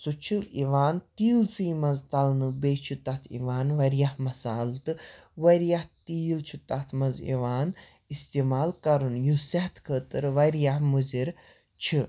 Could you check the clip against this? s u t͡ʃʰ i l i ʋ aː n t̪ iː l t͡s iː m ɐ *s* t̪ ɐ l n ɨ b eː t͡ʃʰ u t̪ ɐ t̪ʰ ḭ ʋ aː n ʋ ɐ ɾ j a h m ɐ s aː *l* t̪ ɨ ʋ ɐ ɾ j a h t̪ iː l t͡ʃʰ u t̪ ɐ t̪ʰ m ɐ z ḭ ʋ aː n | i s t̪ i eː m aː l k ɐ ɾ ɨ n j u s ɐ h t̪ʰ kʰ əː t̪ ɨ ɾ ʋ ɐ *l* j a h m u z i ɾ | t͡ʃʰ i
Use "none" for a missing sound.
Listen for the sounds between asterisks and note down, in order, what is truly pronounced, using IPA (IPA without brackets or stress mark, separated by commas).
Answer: z, l, ɾ